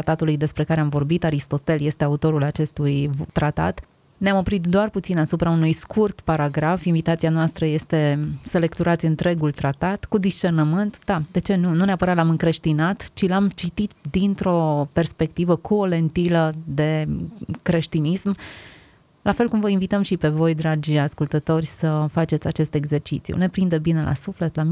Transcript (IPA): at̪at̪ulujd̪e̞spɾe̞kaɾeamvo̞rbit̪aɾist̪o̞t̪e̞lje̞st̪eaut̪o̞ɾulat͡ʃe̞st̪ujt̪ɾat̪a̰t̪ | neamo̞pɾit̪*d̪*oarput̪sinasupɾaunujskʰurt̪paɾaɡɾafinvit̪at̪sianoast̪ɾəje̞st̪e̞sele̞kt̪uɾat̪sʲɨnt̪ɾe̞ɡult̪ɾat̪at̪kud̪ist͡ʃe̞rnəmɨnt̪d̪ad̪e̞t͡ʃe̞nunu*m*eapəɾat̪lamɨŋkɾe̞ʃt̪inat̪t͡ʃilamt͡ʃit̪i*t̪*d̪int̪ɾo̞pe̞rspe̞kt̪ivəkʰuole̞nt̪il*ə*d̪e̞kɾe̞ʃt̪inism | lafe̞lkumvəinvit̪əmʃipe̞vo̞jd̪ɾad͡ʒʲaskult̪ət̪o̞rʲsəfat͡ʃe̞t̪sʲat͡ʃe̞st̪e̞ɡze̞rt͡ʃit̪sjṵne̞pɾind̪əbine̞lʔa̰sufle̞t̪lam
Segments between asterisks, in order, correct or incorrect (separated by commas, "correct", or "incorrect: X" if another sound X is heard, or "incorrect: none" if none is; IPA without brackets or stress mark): correct, incorrect: n, correct, correct